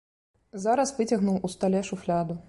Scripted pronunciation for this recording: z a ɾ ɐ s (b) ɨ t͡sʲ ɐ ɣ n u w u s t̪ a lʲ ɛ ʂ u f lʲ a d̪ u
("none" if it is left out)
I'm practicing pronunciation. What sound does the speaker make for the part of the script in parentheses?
v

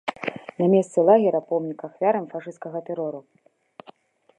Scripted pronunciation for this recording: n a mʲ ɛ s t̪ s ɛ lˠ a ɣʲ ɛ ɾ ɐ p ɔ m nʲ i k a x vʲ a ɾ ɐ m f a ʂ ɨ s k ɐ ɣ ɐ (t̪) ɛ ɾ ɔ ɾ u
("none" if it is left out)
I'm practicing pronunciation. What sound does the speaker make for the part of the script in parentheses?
t̪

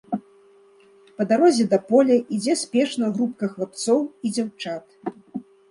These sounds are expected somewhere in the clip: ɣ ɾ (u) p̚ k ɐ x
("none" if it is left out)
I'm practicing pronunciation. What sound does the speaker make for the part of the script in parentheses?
u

